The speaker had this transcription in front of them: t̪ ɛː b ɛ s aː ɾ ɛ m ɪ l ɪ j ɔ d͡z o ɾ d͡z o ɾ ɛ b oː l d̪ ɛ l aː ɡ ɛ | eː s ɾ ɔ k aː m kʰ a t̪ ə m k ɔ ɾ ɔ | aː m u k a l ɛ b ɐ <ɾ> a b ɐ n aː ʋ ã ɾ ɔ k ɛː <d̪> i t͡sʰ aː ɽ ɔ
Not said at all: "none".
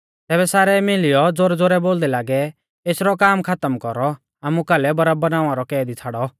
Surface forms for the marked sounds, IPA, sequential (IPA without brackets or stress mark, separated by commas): ɾ, d̪